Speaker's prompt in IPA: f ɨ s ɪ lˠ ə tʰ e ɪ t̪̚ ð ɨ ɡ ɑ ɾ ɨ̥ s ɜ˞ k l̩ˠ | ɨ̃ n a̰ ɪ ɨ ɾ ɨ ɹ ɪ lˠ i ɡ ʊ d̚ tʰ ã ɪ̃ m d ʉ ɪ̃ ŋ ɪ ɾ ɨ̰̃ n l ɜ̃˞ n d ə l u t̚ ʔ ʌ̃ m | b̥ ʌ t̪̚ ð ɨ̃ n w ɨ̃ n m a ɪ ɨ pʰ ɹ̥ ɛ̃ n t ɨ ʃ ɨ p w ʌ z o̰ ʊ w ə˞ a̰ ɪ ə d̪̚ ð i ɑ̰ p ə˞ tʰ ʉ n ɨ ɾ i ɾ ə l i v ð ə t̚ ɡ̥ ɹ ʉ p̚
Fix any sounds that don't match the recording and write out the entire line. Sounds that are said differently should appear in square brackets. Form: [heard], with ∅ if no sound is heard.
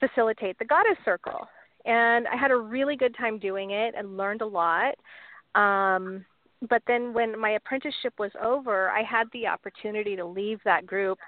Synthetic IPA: f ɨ s ɪ lˠ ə tʰ e ɪ t̪̚ ð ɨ ɡ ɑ ɾ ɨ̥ s ɜ˞ k l̩ˠ | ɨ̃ n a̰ ɪ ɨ ɾ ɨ ɹ ɪ lˠ i ɡ ʊ d̚ tʰ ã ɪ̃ m d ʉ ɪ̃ ŋ ɪ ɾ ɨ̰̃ n l ɜ̃˞ n d ə l [ɔ] t̚ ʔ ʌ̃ m | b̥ ʌ t̪̚ ð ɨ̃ n w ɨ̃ n m a ɪ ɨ pʰ ɹ̥ ɛ̃ n t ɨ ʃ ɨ p w ʌ z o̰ ʊ [v] ə˞ a̰ ɪ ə d̪̚ ð i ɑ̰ p ə˞ tʰ ʉ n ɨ ɾ i ɾ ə l i v ð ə t̚ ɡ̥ ɹ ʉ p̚